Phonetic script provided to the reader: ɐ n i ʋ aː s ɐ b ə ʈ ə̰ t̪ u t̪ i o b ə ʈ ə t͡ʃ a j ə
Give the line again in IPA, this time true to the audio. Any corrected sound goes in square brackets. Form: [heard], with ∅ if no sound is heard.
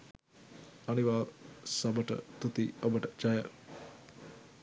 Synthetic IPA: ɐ n i ʋ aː s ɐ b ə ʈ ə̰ t̪ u t̪ i o b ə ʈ ə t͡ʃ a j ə